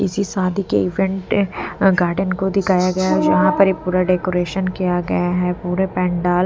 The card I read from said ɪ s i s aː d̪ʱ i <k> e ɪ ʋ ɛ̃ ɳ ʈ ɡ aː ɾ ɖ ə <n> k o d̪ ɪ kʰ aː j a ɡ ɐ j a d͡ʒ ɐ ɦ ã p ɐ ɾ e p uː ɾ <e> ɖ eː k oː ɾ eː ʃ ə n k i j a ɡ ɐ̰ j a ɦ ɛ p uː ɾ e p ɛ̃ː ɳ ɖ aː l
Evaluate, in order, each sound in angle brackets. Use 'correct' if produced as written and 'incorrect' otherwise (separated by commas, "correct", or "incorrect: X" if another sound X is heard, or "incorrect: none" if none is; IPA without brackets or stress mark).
correct, correct, incorrect: a